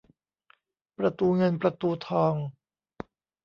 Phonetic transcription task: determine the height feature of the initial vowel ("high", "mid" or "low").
low